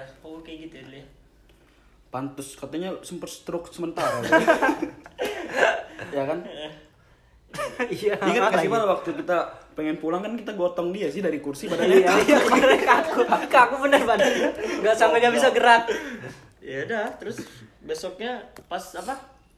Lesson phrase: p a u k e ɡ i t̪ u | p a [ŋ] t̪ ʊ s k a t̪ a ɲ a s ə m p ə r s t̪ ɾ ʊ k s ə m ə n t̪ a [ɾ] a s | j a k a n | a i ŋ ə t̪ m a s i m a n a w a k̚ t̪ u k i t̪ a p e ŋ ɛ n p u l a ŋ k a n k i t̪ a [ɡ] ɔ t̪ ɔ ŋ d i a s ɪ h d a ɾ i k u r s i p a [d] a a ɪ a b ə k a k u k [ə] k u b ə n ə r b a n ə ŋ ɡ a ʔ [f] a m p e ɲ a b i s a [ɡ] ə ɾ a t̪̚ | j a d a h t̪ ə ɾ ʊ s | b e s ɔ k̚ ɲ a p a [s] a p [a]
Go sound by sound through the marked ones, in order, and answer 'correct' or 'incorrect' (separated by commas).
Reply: incorrect, correct, correct, correct, incorrect, incorrect, correct, correct, correct